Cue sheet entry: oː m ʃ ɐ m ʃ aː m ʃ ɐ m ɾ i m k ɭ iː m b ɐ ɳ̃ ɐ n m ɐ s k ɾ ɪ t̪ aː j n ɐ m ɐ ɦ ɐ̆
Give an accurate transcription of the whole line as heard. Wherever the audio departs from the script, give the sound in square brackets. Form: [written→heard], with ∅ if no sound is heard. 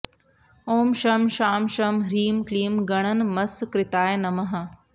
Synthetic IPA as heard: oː m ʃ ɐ m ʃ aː m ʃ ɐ m ɾ [i→iː] m k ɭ iː m [b→ɡ] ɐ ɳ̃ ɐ n m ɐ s k ɾ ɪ t̪ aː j n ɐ m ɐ ɦ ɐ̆